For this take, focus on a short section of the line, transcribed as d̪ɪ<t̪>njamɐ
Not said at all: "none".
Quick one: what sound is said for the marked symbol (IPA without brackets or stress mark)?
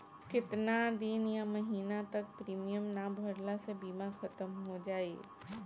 none